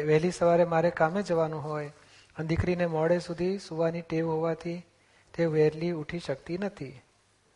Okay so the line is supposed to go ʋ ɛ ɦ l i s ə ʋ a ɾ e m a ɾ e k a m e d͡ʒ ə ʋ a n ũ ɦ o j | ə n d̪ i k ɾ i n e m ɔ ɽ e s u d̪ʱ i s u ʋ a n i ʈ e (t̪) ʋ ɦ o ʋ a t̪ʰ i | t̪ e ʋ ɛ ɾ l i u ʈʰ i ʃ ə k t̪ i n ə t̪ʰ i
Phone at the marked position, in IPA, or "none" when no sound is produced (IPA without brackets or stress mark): none